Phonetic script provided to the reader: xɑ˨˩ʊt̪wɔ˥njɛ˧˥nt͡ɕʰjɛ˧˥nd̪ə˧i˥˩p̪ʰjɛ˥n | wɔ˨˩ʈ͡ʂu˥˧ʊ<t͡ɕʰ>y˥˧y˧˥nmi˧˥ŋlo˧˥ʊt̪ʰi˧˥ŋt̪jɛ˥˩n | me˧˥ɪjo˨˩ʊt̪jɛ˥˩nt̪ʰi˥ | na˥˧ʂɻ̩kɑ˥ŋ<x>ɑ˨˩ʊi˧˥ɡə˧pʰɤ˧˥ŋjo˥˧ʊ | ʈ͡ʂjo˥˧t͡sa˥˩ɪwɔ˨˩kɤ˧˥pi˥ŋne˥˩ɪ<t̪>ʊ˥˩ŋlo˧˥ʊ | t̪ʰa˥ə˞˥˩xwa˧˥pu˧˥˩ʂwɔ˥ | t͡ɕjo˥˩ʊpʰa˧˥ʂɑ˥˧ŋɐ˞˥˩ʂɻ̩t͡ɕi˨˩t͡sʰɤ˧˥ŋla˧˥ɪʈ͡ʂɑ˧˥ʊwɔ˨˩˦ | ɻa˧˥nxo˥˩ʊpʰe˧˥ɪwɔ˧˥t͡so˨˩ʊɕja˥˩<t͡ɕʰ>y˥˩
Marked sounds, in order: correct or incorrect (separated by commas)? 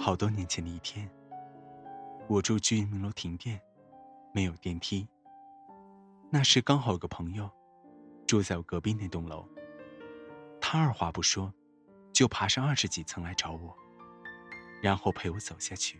incorrect, correct, correct, correct